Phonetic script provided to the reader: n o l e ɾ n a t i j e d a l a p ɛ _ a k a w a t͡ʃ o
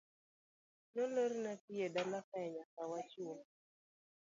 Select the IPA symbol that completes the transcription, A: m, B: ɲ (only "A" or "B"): B